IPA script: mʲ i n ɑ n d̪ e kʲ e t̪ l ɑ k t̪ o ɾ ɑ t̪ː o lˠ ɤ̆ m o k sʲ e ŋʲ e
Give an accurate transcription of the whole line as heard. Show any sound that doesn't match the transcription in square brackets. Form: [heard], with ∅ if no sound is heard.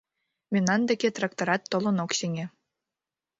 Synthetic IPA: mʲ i n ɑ n d̪ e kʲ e t̪ [r] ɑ k t̪ o ɾ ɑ t̪ː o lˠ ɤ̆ [n] o k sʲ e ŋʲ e